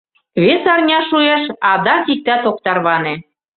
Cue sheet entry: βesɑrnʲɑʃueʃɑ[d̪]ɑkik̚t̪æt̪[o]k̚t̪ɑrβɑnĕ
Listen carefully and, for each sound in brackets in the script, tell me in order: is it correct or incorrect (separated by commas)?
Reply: correct, correct